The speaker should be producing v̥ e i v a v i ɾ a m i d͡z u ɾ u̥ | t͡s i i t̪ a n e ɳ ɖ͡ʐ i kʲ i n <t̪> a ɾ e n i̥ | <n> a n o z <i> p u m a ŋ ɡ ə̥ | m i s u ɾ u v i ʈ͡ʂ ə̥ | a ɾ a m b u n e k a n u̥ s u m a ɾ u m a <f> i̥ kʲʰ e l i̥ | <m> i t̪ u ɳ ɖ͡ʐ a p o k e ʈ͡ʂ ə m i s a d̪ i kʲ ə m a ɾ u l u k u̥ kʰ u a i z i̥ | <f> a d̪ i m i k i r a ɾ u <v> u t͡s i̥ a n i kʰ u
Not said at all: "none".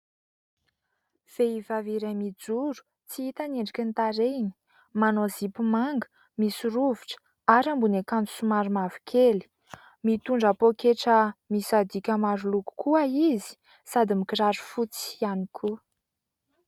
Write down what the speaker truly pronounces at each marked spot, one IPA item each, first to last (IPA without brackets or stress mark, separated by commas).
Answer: t̪, m, i, v, m, s, f